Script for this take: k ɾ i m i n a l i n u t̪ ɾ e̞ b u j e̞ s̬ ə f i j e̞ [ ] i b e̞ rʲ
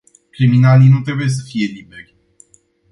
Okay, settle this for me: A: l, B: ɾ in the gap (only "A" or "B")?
A